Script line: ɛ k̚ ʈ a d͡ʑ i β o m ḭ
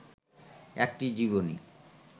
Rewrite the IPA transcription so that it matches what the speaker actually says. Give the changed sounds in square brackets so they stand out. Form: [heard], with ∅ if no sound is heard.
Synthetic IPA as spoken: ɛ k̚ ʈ [i] d͡ʑ i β o [n] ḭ